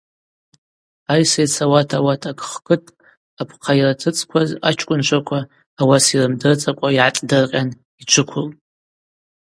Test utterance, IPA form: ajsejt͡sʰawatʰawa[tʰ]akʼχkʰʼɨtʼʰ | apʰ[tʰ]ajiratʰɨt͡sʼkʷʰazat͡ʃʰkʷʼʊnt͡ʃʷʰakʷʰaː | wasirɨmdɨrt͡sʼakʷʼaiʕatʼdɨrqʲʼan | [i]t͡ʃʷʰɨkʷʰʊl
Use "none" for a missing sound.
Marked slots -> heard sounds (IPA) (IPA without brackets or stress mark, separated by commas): tʰ, qʰ, i